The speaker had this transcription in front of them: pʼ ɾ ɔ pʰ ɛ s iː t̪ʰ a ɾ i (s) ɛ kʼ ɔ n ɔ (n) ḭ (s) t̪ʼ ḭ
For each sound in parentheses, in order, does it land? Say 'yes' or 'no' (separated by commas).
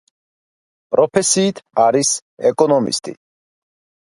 yes, no, yes